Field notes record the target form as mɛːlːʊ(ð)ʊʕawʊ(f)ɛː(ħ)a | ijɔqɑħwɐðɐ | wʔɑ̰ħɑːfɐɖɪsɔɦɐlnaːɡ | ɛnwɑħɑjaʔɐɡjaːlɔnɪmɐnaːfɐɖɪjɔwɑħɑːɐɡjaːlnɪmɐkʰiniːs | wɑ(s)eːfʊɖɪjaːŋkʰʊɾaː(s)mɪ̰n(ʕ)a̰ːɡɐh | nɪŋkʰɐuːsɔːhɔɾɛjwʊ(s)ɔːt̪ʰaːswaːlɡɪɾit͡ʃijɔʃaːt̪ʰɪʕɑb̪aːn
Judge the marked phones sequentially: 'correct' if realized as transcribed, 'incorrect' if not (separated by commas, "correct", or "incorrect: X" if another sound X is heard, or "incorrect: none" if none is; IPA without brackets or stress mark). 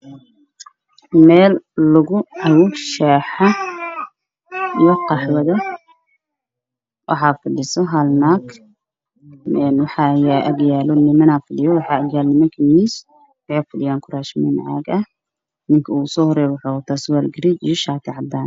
incorrect: ɣ, incorrect: ʃ, correct, incorrect: ħ, incorrect: ʃ, correct, incorrect: ħ